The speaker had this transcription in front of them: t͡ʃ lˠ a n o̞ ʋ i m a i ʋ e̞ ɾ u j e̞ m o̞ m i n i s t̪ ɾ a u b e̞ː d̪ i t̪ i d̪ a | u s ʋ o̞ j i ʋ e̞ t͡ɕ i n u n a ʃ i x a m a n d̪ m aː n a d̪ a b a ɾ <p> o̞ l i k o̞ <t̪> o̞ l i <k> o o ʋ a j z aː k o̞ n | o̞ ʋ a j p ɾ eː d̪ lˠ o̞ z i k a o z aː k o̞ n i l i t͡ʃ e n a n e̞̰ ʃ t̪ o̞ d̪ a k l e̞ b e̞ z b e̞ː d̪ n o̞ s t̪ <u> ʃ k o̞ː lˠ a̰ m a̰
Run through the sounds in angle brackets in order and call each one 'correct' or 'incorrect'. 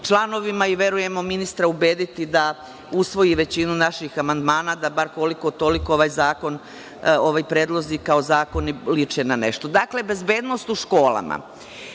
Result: incorrect: k, correct, correct, correct

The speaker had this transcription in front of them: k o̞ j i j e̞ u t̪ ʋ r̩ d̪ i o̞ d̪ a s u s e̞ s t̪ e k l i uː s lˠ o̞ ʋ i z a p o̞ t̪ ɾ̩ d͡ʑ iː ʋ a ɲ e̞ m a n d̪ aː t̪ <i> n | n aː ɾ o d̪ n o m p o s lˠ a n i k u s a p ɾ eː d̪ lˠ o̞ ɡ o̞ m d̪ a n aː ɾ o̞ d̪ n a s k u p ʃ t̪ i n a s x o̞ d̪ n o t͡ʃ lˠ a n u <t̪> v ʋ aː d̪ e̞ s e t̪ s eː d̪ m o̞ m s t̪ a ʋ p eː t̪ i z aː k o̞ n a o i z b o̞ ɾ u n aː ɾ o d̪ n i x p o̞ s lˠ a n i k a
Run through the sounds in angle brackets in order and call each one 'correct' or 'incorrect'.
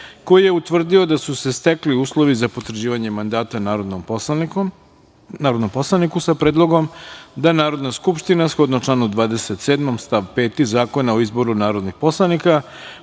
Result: incorrect: a, incorrect: d̪

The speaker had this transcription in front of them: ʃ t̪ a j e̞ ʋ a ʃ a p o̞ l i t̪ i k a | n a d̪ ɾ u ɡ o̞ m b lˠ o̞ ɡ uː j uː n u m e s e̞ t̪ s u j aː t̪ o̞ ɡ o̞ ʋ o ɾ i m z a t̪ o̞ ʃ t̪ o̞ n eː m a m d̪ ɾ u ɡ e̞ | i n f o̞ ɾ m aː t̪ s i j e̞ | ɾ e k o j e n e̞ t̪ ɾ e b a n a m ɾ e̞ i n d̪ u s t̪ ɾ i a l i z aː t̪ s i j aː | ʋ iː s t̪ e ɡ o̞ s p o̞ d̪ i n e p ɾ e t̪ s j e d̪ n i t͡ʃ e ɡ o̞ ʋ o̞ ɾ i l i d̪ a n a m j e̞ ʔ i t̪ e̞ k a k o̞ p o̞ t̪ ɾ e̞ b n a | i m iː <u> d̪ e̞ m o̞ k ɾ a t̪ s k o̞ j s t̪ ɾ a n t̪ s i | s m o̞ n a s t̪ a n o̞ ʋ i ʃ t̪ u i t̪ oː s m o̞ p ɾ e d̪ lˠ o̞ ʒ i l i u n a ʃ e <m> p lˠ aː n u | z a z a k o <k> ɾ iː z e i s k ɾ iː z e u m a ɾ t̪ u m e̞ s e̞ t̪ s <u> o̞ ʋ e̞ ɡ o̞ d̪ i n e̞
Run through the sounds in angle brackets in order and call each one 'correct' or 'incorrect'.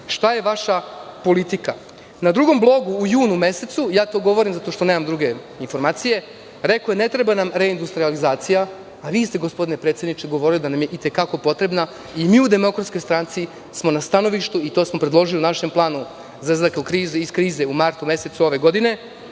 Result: correct, correct, correct, correct

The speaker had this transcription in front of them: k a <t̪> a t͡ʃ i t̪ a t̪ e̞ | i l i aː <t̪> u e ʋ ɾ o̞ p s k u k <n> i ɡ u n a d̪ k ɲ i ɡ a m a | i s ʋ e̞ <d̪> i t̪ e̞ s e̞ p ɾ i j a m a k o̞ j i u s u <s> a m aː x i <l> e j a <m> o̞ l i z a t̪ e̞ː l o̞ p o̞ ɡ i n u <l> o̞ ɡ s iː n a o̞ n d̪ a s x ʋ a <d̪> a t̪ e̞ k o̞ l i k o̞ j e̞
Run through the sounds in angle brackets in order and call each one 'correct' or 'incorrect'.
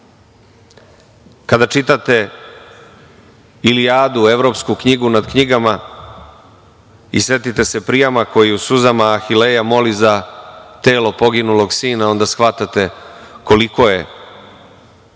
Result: incorrect: d̪, incorrect: d̪, incorrect: ɲ, incorrect: t̪, incorrect: z, correct, correct, correct, incorrect: t̪

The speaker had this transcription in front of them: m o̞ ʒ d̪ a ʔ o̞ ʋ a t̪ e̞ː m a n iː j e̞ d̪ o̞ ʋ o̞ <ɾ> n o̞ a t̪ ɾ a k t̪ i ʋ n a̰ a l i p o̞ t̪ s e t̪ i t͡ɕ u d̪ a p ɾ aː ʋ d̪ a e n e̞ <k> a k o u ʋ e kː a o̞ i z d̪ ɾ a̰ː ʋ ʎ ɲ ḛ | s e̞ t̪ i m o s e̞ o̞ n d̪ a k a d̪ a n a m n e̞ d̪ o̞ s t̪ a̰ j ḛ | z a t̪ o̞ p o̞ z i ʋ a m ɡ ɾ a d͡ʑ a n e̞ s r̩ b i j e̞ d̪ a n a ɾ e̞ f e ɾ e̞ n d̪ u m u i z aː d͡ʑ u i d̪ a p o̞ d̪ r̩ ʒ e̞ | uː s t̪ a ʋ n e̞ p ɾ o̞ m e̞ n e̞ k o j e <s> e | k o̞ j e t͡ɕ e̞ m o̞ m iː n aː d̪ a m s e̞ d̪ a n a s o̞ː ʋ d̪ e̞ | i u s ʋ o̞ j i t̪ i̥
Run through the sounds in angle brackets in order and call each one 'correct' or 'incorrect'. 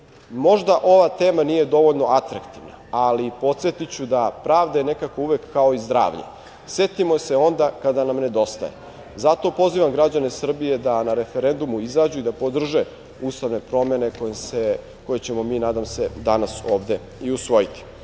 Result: incorrect: ʎ, correct, correct

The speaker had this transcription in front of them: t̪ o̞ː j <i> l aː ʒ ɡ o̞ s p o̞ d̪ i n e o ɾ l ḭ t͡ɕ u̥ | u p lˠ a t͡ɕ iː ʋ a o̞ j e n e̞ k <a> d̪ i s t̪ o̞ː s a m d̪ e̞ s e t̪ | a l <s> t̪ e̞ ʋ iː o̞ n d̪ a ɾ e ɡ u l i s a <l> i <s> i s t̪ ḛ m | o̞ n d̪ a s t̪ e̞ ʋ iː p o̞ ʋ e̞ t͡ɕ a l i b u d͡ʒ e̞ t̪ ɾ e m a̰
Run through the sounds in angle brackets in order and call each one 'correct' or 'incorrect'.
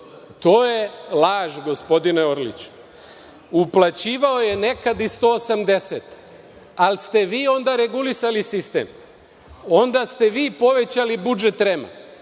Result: incorrect: e, correct, correct, correct, correct

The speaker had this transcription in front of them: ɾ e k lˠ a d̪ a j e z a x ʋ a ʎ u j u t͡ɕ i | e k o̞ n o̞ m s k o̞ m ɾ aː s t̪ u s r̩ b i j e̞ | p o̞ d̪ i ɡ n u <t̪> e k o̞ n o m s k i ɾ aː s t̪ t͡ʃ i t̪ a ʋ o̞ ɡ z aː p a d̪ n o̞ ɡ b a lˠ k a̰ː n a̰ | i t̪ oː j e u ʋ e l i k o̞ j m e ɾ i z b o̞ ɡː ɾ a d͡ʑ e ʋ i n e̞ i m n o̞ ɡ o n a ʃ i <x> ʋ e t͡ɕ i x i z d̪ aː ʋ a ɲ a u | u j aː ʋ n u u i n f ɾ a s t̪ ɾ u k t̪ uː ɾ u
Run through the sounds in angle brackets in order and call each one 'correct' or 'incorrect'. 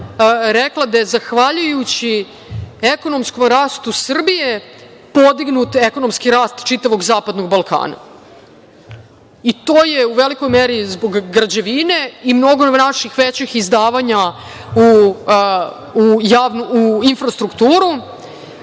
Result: correct, correct

